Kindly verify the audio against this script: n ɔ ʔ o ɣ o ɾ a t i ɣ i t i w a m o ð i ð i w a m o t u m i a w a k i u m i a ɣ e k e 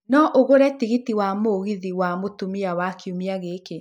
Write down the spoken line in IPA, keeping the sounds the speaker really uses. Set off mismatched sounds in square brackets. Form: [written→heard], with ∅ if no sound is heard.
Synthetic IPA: n ɔ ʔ o ɣ o ɾ [a→ɛ] t i ɣ i t i w a m o [ð→ɣ] i ð i w a m o t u m i a w a k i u m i a ɣ e k e